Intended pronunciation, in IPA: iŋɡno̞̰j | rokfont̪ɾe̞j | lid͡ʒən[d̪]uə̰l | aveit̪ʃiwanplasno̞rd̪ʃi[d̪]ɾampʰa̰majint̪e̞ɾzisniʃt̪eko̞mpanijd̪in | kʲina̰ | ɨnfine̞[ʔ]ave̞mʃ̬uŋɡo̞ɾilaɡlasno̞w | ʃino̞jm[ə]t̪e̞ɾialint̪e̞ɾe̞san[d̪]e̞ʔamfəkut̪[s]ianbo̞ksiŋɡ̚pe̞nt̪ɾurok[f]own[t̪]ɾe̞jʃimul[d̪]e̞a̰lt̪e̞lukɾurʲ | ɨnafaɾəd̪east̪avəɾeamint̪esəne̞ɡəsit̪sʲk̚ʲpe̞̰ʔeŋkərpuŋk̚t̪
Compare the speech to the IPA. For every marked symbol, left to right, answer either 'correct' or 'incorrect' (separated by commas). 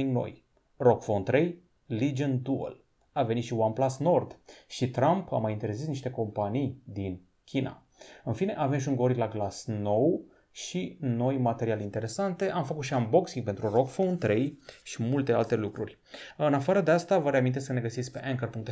correct, incorrect, correct, incorrect, incorrect, incorrect, correct, correct, incorrect